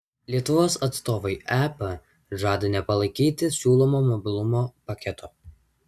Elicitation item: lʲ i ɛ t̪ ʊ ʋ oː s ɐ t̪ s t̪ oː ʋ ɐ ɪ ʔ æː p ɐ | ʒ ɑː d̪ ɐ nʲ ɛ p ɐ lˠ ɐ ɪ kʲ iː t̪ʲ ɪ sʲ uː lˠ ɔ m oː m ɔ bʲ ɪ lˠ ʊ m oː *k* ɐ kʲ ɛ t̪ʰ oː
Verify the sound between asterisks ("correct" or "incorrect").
incorrect